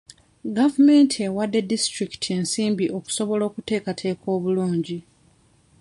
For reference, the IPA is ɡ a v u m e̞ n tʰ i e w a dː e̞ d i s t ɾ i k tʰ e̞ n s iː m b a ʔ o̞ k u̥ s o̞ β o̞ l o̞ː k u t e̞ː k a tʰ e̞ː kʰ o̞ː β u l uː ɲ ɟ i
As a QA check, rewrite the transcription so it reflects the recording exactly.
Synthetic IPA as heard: ɡ a v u m e̞ n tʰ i e w a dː e̞ d i s t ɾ i k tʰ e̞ n s iː m b i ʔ o̞ k u̥ s o̞ β o̞ l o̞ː k u t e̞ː k a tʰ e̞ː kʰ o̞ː β u l uː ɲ ɟ i